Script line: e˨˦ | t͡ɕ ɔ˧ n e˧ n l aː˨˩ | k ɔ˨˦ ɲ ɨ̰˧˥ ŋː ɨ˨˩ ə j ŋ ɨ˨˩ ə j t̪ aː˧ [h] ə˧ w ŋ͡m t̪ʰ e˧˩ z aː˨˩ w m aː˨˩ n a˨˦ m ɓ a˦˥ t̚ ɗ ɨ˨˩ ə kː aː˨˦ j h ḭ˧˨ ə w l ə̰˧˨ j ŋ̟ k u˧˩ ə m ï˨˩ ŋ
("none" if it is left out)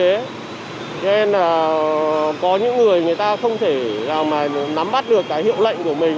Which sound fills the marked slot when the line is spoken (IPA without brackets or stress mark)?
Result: x